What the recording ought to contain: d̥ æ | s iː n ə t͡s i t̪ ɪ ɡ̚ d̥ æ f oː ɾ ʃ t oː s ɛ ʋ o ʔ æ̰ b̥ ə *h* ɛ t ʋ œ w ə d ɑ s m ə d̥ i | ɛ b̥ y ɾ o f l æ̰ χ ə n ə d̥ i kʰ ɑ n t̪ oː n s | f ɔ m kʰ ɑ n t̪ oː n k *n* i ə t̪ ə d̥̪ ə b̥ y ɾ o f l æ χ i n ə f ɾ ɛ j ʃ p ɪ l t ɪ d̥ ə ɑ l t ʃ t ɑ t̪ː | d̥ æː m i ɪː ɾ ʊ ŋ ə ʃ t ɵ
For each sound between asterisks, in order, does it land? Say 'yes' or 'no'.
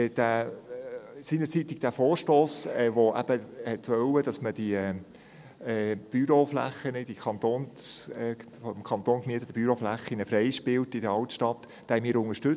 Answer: yes, no

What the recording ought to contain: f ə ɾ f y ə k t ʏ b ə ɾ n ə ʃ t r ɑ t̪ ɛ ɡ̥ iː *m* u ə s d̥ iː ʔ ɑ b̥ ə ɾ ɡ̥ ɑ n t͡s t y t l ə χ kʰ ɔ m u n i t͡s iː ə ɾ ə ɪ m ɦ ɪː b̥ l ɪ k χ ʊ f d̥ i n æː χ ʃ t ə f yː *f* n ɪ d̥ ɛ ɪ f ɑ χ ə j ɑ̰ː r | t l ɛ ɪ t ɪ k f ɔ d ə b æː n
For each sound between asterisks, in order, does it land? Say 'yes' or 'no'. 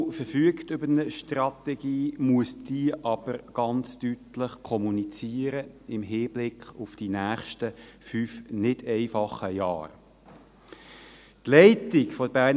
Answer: yes, yes

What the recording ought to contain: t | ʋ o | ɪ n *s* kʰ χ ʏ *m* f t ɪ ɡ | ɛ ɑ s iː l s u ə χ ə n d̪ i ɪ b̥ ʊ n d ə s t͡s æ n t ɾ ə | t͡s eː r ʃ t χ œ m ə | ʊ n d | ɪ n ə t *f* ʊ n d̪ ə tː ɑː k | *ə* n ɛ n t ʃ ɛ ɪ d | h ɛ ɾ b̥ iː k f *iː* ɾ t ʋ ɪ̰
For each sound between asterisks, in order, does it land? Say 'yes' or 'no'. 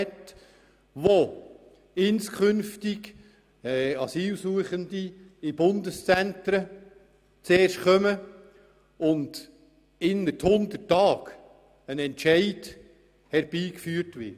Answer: yes, no, no, yes, no

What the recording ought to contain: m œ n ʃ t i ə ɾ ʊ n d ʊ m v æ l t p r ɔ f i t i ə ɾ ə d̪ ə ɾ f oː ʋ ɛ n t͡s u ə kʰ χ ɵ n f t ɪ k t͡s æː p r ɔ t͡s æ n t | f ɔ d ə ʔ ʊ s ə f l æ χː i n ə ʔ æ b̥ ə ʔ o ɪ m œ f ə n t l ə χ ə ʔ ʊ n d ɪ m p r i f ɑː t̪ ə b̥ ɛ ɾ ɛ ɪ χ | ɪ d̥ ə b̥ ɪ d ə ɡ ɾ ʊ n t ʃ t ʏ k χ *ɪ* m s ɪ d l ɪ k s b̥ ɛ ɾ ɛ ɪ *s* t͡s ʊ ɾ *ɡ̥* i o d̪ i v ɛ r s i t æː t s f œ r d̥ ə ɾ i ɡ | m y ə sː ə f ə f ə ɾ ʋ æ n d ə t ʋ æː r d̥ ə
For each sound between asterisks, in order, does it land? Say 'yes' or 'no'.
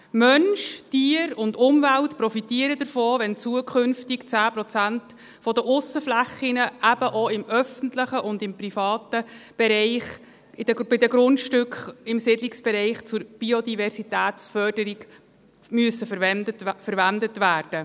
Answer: yes, no, no

